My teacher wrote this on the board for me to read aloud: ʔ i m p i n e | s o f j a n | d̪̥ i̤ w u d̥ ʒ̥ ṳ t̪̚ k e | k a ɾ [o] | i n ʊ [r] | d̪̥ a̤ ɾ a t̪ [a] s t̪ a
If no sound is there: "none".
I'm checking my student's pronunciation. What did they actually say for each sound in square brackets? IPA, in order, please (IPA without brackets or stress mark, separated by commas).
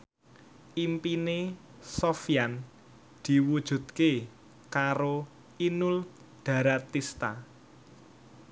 o, l, i